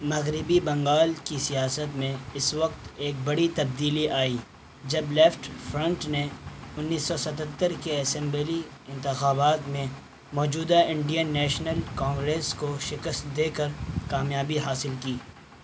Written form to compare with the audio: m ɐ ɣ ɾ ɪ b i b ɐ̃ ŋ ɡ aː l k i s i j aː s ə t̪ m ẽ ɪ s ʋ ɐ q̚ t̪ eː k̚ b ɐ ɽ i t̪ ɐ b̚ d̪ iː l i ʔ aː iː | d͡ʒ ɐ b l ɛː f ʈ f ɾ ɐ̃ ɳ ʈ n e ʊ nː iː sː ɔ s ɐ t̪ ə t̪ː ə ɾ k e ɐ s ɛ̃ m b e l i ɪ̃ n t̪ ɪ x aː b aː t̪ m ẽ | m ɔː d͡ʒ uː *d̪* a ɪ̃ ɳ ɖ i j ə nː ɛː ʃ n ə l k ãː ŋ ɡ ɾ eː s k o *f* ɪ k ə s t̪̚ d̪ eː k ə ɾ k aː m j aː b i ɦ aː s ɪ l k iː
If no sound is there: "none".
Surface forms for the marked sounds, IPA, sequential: d̪, ʃ

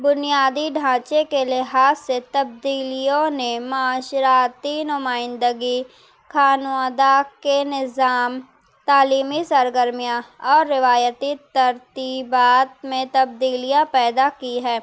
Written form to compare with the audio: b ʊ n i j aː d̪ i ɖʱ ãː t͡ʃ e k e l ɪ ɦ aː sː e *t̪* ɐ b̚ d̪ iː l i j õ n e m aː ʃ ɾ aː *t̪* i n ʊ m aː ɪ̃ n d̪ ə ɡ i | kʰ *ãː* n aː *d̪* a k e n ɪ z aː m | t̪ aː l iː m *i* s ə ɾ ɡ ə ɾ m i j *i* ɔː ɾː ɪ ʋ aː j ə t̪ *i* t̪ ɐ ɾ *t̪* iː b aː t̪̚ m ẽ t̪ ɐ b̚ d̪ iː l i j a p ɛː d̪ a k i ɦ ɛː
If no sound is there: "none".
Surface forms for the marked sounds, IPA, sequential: t̪, t̪, aː, d̪, i, a, i, t̪

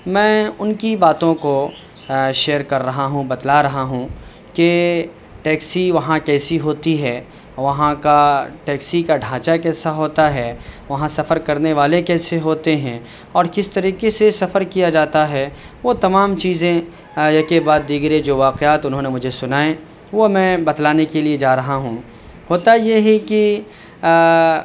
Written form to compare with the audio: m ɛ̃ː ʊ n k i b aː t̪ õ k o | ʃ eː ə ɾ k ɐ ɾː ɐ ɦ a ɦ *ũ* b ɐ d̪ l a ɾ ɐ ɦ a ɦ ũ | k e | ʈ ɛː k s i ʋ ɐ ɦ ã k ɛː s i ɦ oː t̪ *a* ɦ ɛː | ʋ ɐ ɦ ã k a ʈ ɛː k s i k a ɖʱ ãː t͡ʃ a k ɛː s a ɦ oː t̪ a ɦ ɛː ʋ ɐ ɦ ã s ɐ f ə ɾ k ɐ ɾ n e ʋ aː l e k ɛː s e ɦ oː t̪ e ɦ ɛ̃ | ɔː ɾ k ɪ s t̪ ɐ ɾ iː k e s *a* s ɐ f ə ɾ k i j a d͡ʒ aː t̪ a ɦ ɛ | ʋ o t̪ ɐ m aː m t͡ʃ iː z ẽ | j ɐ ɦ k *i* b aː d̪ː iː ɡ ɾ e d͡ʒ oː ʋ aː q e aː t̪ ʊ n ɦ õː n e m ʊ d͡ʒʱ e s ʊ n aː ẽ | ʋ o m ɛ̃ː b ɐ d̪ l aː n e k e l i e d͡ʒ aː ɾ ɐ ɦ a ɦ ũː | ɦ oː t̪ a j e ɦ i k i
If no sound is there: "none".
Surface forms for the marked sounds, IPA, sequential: ũ, i, e, e

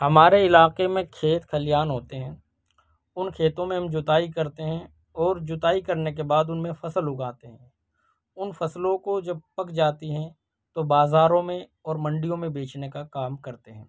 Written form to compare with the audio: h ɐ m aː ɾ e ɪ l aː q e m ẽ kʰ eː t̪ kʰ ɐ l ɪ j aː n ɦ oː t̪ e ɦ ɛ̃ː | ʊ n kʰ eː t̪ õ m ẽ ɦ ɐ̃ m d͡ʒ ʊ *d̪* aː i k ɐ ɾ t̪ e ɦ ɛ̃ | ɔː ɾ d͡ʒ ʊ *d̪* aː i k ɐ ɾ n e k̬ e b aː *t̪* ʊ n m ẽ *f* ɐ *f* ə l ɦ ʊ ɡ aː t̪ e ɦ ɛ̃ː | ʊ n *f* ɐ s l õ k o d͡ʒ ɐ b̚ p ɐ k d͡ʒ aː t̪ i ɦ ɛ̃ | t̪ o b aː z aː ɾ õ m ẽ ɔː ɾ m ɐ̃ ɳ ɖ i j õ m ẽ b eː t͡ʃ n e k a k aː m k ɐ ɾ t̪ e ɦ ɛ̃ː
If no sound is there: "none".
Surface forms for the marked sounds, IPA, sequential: t̪, t̪, d̪, f, s, f

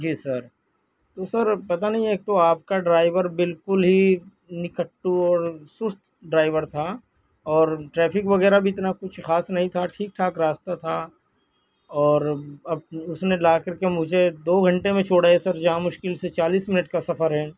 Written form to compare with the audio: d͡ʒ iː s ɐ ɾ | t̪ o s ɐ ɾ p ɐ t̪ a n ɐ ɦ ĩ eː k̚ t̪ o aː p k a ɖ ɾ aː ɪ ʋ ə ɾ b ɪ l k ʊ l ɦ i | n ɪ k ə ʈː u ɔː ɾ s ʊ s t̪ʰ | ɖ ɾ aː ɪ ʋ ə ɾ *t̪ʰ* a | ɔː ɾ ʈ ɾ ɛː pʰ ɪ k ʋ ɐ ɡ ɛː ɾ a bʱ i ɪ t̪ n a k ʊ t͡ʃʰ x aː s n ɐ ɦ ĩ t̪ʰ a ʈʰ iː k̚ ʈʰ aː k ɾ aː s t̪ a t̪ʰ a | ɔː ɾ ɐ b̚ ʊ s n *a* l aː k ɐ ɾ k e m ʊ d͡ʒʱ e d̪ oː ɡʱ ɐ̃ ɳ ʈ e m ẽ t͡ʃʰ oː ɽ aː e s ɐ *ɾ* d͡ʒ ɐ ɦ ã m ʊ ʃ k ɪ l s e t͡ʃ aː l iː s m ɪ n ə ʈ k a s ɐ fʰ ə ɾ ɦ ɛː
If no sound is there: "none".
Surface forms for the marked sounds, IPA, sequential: t̪ʰ, e, ɾ

